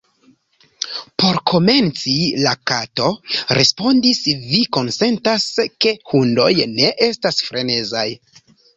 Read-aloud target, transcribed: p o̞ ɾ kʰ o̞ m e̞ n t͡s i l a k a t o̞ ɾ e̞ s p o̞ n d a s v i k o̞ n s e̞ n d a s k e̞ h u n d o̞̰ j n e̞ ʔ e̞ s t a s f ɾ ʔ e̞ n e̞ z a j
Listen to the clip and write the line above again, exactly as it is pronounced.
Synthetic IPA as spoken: p o̞ ɾ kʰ o̞ m e̞ n t͡s i l a k a t o̞ ɾ e̞ s p o̞ n d i s v i k o̞ n s e̞ n t a s k e̞ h u n d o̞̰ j n e̞ ʔ e̞ s t a s f ɾ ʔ e̞ n e̞ z a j